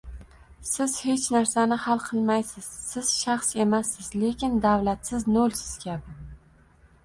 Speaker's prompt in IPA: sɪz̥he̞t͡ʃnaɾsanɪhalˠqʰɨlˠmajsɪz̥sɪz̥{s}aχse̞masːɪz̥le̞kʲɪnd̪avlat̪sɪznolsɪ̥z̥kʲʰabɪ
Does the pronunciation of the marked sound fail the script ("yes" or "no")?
yes